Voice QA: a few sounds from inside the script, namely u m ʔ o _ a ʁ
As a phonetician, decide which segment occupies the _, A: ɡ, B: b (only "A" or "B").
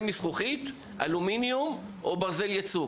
B